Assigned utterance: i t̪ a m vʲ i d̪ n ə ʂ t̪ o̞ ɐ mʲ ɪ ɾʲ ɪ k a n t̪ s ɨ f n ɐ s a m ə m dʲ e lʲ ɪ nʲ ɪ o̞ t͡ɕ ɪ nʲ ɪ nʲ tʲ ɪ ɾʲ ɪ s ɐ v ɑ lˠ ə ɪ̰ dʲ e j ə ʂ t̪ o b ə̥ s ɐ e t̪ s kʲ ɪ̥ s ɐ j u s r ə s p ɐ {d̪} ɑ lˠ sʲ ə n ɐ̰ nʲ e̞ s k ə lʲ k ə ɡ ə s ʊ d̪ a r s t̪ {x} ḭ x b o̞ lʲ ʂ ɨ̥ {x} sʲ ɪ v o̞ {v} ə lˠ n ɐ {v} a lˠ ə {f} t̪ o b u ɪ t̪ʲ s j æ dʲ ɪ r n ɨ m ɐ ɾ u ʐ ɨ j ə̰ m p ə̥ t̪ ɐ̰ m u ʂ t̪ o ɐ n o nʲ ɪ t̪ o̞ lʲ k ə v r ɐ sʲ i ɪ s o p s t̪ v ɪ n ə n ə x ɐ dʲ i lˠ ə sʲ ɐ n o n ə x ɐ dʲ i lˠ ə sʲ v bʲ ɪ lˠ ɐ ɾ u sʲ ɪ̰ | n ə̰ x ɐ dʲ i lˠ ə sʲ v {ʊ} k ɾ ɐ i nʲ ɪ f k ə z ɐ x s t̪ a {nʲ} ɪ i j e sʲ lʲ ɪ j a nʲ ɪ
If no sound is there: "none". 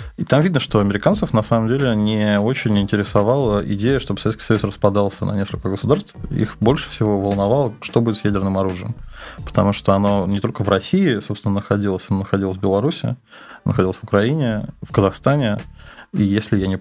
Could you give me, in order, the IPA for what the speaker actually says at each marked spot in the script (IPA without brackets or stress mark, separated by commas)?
d̪, f, f, v, v, ʂ, ʊ, nʲ